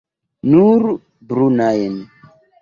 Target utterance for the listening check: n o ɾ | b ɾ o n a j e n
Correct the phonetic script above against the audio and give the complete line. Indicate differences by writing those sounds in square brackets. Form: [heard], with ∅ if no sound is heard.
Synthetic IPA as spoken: n [u] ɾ | b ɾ [u] n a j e n